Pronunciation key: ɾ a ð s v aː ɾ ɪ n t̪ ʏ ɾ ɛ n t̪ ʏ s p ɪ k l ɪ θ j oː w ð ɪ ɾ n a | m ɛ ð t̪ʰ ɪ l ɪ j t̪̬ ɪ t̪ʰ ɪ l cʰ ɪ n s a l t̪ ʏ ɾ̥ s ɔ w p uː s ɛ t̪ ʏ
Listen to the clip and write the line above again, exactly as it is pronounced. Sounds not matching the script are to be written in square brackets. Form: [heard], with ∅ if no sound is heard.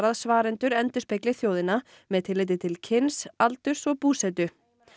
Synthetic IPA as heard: ɾ a ð s v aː ɾ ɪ n t̪ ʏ ɾ ɛ n t̪ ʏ s p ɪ k l ɪ θ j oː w ð ɪ [∅] n a | m ɛ ð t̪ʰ ɪ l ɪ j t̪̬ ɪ t̪ʰ ɪ l cʰ ɪ n s a l t̪ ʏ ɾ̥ s ɔ [ɣ] p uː s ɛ t̪ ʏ